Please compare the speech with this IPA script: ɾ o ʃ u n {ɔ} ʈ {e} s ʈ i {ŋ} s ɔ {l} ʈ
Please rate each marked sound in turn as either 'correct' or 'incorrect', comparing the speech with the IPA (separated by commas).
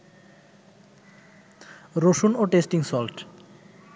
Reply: incorrect, correct, correct, correct